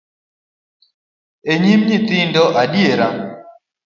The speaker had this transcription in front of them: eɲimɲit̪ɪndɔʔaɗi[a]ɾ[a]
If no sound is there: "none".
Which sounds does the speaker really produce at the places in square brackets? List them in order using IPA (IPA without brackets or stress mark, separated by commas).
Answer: e, a